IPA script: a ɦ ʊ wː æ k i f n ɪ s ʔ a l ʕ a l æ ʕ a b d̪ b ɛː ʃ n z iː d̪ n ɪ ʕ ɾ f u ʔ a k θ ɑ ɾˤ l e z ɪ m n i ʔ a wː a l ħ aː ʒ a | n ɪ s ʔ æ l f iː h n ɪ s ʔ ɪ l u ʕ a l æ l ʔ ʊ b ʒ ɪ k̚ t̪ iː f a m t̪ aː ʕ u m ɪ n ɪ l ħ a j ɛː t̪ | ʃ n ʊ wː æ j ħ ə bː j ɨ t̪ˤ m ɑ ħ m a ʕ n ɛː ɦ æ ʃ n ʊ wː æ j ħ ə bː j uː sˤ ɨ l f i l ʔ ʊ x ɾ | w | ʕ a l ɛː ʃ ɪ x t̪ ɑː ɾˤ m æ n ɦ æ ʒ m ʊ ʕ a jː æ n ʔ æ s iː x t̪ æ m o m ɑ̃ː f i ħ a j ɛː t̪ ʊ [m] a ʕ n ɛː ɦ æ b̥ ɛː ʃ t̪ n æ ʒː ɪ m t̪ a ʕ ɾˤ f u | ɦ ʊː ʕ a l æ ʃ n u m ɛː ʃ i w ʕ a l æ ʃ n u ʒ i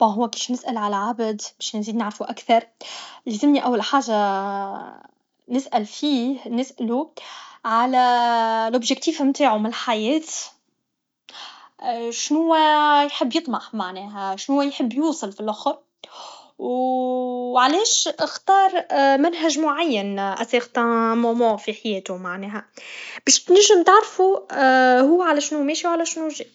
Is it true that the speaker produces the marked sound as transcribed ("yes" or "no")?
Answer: yes